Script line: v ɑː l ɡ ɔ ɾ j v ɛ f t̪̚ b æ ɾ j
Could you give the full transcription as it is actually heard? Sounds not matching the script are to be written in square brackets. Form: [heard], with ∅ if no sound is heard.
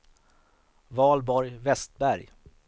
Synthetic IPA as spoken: v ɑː l [b] ɔ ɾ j v ɛ [s] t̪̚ b æ ɾ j